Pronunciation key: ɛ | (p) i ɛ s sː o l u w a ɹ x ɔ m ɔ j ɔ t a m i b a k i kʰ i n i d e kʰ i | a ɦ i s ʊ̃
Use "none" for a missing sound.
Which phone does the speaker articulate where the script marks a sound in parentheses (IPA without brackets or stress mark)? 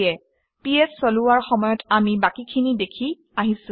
p